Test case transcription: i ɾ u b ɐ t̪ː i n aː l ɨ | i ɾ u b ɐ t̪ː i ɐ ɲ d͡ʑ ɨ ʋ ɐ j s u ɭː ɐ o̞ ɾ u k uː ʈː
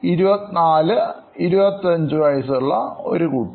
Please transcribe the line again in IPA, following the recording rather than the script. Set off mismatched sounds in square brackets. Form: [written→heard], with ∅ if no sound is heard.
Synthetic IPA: i ɾ u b ɐ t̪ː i n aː l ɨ | i ɾ u b ɐ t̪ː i ɐ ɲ d͡ʑ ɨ ʋ ɐ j s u ɭː ɐ o̞ ɾ u k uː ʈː

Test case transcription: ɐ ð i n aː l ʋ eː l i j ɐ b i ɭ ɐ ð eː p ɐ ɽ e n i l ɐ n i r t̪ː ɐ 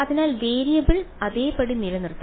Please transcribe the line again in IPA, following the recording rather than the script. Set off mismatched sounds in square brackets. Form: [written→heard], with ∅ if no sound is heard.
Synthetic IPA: ɐ ð i n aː l ʋ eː [l→ɾ] i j ɐ b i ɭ ɐ ð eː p ɐ ɽ [e→i] n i l ɐ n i r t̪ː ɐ

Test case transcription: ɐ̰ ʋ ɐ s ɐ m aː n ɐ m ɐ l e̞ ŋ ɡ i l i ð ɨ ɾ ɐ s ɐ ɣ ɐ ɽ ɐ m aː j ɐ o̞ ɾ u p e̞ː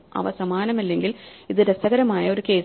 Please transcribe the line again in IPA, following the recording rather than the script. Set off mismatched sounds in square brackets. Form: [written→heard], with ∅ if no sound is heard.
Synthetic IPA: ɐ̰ ʋ ɐ s ɐ m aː n ɐ m ɐ [l→lː] e̞ ŋ ɡ i l i ð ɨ ɾ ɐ s ɐ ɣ ɐ [ɽ→ɾ] ɐ m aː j ɐ o̞ ɾ u [p→k] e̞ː

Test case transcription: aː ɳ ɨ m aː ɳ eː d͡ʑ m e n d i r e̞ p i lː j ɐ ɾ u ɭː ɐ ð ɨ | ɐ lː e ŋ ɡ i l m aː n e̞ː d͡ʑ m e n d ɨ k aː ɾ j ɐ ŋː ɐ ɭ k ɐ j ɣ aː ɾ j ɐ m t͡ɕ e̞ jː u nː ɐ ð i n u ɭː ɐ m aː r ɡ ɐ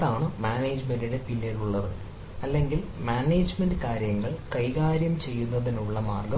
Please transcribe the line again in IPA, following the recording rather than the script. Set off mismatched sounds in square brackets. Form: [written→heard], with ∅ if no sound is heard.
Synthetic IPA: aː ɳ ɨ m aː [ɳ→n] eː d͡ʑ m e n d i [r→ɽ] e̞ p i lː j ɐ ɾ u ɭː ɐ ð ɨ | ɐ lː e ŋ ɡ i l m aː n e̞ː d͡ʑ m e n d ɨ k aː ɾ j ɐ ŋː ɐ ɭ k ɐ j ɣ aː ɾ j ɐ m t͡ɕ e̞ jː u nː ɐ ð i n u ɭː ɐ m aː r ɡ ɐ

